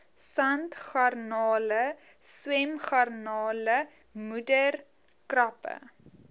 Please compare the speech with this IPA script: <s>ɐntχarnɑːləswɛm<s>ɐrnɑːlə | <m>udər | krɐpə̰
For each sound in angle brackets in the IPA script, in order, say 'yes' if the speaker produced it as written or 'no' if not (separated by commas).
yes, no, yes